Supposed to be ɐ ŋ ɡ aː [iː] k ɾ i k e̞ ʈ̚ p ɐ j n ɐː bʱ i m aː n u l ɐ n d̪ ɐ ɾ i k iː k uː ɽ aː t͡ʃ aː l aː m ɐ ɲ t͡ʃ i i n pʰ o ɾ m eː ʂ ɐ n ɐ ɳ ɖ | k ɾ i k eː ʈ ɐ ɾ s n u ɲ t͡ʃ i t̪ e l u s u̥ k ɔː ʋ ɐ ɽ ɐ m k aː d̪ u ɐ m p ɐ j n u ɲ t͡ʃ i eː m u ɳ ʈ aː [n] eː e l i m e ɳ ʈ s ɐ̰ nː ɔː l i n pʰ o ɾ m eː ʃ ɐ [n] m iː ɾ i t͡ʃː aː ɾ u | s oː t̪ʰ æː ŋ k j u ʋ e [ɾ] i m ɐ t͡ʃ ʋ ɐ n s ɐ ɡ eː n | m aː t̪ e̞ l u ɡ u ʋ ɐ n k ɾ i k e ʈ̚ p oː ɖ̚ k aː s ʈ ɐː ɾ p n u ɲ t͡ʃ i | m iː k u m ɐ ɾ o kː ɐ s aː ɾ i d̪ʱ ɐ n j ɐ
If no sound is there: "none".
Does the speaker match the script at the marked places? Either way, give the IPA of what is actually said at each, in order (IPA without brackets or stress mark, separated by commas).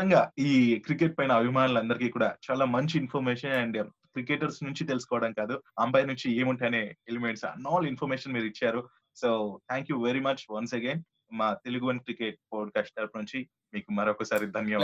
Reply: iː, n, n, ɾ